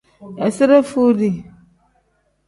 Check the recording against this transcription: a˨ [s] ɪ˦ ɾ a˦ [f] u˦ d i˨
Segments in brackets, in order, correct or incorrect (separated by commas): correct, correct